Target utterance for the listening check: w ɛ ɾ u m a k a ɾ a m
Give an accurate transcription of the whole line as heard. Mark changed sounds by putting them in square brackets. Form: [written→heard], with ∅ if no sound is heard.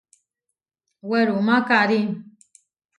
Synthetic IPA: w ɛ ɾ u m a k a ɾ [a→i] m

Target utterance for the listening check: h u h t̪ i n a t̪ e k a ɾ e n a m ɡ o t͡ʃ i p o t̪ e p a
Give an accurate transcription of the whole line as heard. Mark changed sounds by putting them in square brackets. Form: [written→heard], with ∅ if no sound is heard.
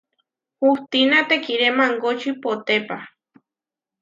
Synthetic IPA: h u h t̪ i n a t̪ e k [a→i] ɾ e [n→m] a [m→ŋ] ɡ o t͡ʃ i p o t̪ e p a

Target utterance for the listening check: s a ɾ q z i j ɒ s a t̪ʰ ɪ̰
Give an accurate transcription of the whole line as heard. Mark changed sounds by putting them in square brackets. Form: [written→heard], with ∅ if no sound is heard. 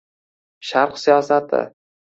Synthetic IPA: [s→ʃ] a ɾ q [z→s] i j ɒ s a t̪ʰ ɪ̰

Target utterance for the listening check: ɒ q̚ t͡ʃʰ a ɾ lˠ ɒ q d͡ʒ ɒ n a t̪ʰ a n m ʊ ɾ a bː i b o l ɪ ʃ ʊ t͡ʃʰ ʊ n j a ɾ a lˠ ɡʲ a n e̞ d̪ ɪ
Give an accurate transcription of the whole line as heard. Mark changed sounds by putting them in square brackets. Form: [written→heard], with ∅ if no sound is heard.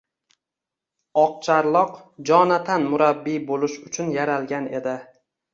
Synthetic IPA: ɒ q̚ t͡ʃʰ a ɾ lˠ ɒ q d͡ʒ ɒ n a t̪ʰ a n m ʊ ɾ a bː i b o l ɪ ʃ ʊ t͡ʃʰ ʊ n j a ɾ a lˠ ɡʲ a n e̞ d̪ ɪ

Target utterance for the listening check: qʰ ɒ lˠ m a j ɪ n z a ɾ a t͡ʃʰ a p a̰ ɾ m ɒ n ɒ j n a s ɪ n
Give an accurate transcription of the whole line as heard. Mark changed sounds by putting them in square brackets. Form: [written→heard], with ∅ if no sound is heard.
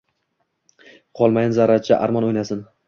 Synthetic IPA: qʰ ɒ lˠ m a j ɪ n z a ɾ a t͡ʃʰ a [p→ʔ] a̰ ɾ m ɒ n [ɒ→o] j n a s ɪ n

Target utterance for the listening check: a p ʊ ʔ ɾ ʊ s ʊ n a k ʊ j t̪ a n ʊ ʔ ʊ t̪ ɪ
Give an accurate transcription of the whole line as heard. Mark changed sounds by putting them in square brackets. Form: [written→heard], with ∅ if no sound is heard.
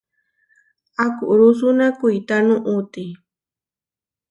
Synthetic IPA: a [p→k] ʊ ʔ ɾ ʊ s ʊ n a k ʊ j t̪ a n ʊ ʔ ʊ t̪ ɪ

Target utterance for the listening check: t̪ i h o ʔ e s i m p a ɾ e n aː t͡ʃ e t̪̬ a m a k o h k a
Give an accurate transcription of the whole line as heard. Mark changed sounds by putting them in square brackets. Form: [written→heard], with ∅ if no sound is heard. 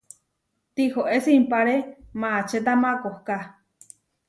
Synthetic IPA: t̪ i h o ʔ e s i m p a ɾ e [n→m] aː t͡ʃ e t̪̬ a m a k o h k a

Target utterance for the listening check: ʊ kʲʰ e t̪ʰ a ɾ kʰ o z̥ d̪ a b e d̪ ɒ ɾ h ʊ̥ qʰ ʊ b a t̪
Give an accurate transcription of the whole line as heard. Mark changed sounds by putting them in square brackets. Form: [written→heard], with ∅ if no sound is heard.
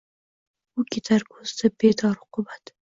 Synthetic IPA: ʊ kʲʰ e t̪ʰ a ɾ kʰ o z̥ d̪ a b e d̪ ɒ ɾ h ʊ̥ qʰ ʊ b a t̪

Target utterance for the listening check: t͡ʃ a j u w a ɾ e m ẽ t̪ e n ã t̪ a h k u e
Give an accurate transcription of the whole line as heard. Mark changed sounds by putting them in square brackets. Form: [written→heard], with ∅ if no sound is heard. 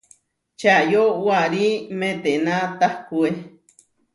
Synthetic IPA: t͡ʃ a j [u→o] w a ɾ [e→i] m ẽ t̪ e n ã t̪ a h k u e

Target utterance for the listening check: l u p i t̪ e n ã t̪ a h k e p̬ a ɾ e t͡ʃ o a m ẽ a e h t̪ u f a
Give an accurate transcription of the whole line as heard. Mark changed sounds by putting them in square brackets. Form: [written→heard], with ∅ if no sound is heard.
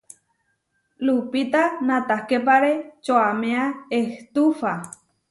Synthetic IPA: l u p i t̪ [e→a] n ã t̪ a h k e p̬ a ɾ e t͡ʃ o a m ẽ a e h t̪ u f a

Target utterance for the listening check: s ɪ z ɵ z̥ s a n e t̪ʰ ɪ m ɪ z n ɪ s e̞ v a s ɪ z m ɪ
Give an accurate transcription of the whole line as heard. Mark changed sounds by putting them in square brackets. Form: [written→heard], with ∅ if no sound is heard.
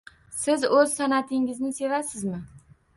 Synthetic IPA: s ɪ z ɵ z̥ s a n [e→a] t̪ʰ ɪ [m→ŋ] ɪ z n ɪ s e̞ v a s ɪ z m ɪ

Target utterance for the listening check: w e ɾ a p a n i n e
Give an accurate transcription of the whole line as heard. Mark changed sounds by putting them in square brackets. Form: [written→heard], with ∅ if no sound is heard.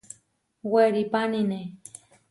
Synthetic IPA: w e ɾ [a→i] p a n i n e

